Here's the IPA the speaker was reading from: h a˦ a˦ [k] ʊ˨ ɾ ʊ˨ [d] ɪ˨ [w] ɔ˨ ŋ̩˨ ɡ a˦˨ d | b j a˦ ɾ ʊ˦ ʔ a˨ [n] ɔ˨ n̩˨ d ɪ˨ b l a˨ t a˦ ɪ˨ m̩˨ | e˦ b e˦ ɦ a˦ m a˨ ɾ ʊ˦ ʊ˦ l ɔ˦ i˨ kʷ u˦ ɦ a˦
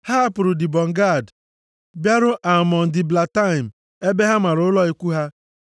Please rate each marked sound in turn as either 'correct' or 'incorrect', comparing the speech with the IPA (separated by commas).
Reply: incorrect, correct, incorrect, incorrect